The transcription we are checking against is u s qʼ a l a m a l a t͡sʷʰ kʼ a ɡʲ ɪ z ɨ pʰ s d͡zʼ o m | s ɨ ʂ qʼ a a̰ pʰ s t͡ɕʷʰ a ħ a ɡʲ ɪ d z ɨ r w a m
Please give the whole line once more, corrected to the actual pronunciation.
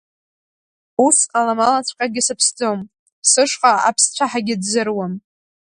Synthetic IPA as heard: u s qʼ a l a m a l a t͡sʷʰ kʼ a ɡʲ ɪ s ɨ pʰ s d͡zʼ o m | s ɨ ʂ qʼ a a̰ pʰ s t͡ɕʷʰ a ħ a ɡʲ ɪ d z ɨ r w a m